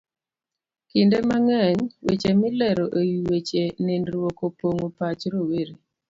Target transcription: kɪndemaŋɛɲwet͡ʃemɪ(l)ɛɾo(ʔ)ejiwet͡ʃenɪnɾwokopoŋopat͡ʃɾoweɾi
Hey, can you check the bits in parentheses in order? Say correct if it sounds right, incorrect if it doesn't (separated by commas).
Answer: correct, correct